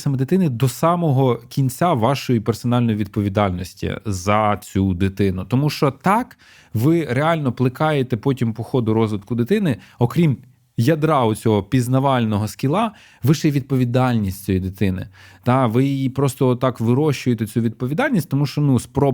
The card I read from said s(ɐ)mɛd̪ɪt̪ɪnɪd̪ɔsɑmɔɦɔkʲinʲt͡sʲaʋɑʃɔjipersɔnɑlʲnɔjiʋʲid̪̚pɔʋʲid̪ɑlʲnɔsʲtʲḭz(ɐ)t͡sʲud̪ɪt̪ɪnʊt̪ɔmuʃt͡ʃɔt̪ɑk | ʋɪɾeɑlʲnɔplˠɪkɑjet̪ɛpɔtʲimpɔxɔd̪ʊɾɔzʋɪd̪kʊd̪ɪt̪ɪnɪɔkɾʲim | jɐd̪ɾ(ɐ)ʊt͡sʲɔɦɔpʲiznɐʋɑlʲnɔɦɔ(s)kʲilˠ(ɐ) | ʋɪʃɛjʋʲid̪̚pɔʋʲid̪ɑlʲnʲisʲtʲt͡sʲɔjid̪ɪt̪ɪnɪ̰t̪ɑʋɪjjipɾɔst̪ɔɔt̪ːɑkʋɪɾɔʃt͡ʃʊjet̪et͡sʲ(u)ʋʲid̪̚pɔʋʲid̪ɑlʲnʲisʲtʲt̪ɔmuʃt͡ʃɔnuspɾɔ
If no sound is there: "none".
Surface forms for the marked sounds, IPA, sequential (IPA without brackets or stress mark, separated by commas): ɐ, ɐ, ɑ, s, ɑ, u